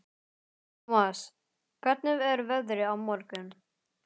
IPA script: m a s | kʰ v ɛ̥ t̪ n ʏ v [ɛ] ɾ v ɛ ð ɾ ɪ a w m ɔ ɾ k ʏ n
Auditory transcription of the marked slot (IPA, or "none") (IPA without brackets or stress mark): ɛ